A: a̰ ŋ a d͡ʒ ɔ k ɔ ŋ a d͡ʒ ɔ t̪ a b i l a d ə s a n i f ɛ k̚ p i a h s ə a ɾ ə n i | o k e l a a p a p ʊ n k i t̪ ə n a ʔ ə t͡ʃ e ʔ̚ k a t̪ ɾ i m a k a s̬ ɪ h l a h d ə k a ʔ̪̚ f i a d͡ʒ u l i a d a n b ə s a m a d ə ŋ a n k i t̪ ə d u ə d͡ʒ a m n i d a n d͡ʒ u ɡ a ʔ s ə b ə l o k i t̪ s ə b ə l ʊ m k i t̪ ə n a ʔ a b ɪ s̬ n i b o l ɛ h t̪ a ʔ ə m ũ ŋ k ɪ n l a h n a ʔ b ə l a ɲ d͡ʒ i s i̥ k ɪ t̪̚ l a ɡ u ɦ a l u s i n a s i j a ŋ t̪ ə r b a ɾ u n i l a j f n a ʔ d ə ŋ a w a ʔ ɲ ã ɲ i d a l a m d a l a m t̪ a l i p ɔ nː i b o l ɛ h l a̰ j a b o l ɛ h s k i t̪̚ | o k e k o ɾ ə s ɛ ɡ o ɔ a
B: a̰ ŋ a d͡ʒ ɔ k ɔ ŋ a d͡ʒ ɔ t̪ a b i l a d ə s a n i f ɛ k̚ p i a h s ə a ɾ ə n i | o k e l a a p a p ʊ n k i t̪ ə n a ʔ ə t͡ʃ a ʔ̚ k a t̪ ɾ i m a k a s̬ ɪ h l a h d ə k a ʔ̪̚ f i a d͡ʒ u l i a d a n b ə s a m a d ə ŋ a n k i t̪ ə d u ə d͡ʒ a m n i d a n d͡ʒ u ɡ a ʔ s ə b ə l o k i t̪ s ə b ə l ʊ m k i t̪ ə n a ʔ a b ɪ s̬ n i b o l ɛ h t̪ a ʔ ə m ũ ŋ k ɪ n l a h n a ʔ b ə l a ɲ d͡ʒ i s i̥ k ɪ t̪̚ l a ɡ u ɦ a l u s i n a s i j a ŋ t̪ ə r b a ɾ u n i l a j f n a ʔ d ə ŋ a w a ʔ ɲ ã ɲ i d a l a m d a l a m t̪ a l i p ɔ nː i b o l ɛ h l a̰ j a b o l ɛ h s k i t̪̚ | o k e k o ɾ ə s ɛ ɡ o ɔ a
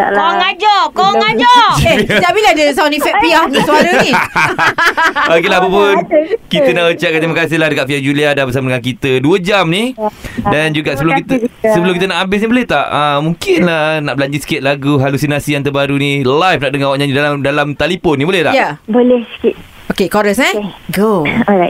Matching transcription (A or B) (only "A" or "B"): B